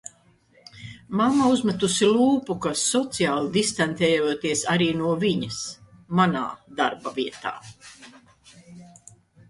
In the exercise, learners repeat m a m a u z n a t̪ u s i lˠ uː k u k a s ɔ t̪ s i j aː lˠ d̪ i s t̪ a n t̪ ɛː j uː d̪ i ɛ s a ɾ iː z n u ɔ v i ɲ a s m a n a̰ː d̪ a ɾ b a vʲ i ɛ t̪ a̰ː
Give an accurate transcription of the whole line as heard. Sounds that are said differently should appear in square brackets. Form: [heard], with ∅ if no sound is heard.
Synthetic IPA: m a m a u z [m] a t̪ u s i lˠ uː [p] u k a s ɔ t̪ s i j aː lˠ d̪ i s t̪ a n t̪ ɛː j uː [t̪] i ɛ s a ɾ iː [∅] n u ɔ v i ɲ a s m a n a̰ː d̪ a ɾ b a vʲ i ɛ t̪ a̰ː